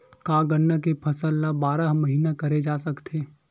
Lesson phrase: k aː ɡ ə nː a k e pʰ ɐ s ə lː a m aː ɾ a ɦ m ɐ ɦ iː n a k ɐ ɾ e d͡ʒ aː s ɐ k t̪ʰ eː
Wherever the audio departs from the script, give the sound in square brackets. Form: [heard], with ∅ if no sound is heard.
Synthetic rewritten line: k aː ɡ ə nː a k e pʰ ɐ s ə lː a [b] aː ɾ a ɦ m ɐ ɦ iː n a k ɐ ɾ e d͡ʒ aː s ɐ k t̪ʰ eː